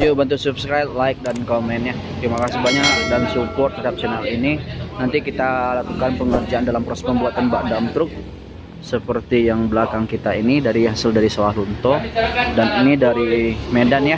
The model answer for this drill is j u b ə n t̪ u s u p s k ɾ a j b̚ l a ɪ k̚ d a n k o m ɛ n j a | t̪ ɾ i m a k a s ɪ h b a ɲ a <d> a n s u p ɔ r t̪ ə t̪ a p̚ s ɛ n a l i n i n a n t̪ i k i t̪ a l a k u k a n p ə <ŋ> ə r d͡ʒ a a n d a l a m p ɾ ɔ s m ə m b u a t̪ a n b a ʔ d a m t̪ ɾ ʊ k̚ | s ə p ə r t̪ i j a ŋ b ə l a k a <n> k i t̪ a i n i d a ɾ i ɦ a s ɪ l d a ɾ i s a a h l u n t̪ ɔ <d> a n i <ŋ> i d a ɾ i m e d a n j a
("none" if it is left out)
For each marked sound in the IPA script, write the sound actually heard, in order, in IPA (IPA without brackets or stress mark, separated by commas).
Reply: d, ŋ, ŋ, d, n